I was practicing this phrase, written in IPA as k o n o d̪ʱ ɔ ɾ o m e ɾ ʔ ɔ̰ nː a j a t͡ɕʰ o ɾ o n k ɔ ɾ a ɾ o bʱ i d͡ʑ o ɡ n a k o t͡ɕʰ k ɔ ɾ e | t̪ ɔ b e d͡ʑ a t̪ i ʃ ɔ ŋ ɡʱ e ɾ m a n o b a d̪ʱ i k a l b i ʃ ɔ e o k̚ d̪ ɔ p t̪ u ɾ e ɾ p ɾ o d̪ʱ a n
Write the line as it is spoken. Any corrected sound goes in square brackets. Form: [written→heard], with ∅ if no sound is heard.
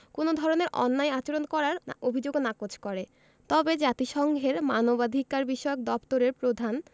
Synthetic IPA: k o n o d̪ʱ ɔ ɾ o [m→n] e ɾ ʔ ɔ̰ nː a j a [t͡ɕʰ→t͡ɕ] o ɾ o n k ɔ ɾ a ɾ o bʱ i d͡ʑ o ɡ n a k o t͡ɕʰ k ɔ ɾ e | t̪ ɔ b e d͡ʑ a t̪ i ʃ ɔ ŋ ɡʱ e ɾ m a n o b a d̪ʱ i k a [l→ɾ] b i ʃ ɔ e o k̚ d̪ ɔ p t̪ [u→o] ɾ e ɾ p ɾ o d̪ʱ a n